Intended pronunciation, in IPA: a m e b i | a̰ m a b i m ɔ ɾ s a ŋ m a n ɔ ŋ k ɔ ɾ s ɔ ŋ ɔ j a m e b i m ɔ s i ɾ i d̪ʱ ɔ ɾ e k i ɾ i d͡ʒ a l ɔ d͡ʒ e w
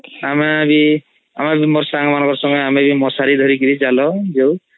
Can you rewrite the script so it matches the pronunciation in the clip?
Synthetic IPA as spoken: a m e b i | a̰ m a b i m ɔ ɾ s a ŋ m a n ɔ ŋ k ɔ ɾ s ɔ ŋ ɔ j a m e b i m ɔ s a ɾ i d̪ʱ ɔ ɾ i k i ɾ i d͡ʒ a l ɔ d͡ʒ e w